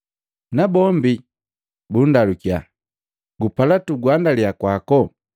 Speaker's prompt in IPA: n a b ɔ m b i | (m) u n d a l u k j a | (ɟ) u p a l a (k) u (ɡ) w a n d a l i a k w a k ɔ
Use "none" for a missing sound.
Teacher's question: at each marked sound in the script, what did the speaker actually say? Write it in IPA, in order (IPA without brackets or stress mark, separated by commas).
b, ɡ, t, ɡ